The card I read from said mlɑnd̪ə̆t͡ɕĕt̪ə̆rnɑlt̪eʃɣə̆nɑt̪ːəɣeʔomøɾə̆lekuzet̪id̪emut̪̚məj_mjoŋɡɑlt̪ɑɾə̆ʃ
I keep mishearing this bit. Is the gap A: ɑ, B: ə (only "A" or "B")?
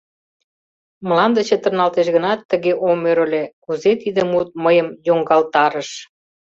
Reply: B